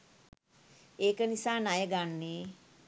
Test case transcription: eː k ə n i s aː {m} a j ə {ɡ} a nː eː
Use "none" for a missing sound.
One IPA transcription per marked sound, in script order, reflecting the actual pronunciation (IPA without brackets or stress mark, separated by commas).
n, ɡ